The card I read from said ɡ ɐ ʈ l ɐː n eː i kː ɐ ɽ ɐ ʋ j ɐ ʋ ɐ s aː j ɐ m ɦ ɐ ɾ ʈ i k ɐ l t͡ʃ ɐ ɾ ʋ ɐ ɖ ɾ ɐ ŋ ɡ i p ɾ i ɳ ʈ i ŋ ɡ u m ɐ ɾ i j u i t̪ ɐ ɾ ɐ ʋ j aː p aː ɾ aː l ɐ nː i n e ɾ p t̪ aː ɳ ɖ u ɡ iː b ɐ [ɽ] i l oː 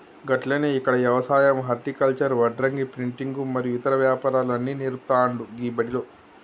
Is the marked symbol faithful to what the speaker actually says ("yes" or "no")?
yes